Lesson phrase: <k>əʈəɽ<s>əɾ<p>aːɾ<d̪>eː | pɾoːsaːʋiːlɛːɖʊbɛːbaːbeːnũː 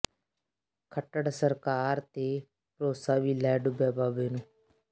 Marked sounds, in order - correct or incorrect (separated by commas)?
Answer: incorrect, correct, incorrect, incorrect